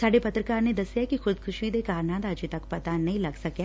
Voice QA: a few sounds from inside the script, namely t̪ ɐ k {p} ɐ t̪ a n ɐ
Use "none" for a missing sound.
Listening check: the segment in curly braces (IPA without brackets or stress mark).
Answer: p